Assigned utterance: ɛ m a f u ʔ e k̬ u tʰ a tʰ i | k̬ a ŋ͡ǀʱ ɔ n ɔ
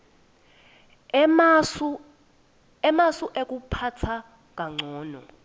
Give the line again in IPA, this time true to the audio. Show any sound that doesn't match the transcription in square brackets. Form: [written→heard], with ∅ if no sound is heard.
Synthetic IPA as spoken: ɛ m a [f→s] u ʔ e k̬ u [tʰ→pʰ] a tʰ [i→a] | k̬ a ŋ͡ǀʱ [ɔ→ɔː] n ɔ

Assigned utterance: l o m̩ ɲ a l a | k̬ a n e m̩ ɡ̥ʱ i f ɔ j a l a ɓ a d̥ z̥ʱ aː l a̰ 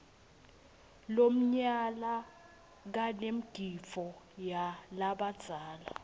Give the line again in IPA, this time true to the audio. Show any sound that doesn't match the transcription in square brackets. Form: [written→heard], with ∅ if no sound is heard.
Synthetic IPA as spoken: l o m̩ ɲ a l a | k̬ a n e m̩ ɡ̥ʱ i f ɔ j a l a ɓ a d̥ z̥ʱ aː l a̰

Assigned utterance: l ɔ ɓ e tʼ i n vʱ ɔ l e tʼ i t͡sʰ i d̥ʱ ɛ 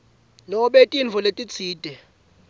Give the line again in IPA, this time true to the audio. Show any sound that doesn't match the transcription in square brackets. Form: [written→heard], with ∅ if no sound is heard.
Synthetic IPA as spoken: l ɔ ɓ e tʼ i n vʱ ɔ l e tʼ i t͡sʰ [i→iː] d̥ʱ ɛ

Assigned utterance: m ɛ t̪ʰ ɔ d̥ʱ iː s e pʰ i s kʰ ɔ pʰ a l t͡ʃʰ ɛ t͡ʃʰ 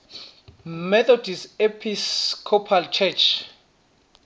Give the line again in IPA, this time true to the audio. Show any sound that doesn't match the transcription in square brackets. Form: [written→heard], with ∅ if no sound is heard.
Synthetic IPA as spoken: m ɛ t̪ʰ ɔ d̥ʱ [iː→i] s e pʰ i s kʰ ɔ pʰ a l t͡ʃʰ ɛ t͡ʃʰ

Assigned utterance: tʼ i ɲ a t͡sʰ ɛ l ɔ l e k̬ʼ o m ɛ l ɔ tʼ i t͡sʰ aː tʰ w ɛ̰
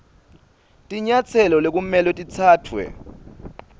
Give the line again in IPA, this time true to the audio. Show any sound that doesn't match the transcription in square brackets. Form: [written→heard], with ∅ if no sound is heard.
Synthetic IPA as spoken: tʼ i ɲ a t͡sʰ ɛ l ɔ l e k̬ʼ [o→u] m ɛ l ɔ tʼ i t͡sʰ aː tʰ w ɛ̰

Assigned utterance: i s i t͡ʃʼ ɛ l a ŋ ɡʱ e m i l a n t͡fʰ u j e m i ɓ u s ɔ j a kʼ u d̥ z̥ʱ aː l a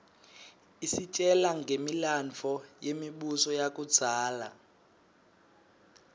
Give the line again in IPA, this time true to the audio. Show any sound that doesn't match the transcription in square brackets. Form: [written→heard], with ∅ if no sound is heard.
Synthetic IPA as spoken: i s i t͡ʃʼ ɛ l a ŋ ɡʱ e m i l a n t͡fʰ [u→ɔ] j e m i ɓ u s ɔ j a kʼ u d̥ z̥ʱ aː l a

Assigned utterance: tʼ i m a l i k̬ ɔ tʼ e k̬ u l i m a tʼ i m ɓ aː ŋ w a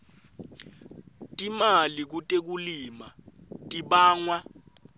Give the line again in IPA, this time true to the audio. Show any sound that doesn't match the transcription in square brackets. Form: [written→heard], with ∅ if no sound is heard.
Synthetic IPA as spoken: tʼ i m a l i k̬ [ɔ→u] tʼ e k̬ u l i m a tʼ i [m→∅] ɓ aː ŋ w a

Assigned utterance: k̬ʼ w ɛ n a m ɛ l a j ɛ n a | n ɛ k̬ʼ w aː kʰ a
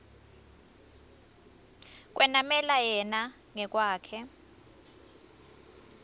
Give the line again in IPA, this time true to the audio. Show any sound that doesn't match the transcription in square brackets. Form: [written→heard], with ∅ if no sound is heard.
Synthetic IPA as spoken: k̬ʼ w ɛ n a m ɛ l a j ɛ n a | [n→ŋ] ɛ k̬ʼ w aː kʰ [a→ɛ]

